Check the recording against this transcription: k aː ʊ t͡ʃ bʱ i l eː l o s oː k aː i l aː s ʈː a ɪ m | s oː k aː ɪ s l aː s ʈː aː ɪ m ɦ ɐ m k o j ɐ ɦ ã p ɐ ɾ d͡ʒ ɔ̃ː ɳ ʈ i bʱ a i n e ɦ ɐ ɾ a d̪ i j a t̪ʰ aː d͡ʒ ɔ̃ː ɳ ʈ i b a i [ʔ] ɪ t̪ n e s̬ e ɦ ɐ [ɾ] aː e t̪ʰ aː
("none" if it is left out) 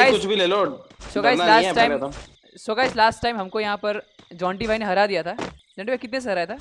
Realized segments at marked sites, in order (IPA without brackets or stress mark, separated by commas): k, ɾ